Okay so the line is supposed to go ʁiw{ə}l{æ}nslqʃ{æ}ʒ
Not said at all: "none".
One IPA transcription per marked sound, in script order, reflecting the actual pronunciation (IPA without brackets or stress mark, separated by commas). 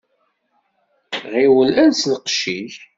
ə, æ, i